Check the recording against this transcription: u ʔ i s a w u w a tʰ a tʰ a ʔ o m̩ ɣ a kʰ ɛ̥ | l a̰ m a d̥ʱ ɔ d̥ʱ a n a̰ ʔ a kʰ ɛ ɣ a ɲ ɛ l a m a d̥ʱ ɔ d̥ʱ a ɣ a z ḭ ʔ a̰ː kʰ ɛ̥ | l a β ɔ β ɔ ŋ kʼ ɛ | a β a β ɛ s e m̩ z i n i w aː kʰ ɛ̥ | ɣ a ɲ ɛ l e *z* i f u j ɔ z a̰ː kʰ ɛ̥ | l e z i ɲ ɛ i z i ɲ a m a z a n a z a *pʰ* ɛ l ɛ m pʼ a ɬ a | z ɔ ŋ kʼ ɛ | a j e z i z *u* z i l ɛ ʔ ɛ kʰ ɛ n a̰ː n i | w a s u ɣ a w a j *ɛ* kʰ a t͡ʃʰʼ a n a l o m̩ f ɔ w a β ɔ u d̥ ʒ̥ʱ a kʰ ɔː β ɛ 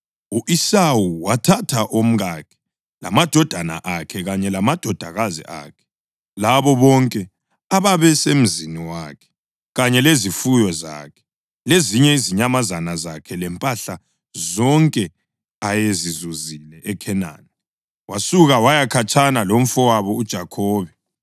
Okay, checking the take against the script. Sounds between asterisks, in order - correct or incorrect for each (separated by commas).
correct, incorrect, correct, incorrect